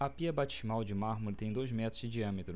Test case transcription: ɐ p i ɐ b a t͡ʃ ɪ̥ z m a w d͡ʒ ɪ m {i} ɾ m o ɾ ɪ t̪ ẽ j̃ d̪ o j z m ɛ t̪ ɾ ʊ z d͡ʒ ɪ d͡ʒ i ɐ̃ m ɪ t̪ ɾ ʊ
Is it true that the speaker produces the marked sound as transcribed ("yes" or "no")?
no